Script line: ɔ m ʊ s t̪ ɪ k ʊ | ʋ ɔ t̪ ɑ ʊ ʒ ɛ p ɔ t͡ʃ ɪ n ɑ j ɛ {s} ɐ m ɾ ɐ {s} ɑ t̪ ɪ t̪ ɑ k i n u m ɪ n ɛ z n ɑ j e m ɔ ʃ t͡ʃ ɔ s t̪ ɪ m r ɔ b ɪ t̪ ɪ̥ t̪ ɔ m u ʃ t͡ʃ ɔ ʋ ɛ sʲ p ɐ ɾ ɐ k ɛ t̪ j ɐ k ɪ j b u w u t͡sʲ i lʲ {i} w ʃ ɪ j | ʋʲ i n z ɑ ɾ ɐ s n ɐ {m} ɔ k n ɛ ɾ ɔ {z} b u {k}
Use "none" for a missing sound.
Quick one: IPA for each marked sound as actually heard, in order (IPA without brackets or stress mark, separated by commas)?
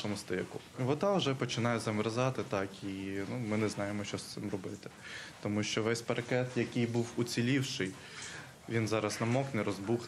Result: z, z, i, m, z, x